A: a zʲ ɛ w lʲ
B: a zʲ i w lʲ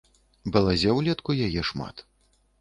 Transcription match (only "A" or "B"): A